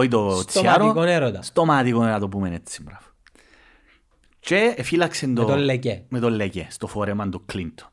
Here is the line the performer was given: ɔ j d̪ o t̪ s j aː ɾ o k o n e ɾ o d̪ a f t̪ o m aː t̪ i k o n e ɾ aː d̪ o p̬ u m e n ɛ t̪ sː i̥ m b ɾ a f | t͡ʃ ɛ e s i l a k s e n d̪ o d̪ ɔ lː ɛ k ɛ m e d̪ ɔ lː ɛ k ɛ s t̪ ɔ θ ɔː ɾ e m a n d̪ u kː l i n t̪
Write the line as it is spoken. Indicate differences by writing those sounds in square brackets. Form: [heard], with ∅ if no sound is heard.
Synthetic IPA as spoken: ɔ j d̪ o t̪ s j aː ɾ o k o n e ɾ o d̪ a [s] t̪ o m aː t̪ i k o n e ɾ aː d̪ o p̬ u m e n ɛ t̪ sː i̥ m b ɾ a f | t͡ʃ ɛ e [f] i l a k s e n d̪ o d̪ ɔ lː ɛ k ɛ m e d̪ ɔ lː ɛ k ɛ s t̪ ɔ [f] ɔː ɾ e m a n d̪ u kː l i n t̪